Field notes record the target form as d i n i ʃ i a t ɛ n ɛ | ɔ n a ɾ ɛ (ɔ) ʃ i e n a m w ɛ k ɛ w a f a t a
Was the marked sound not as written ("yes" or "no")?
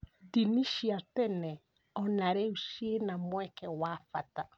yes